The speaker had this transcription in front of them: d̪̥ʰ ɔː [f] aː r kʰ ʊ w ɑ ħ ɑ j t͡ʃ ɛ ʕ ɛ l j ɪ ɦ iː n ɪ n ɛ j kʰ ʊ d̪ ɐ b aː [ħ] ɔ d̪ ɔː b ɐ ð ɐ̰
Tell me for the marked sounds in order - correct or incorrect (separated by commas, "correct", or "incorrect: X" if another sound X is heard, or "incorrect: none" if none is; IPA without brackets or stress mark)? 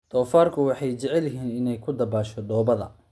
correct, incorrect: ʃ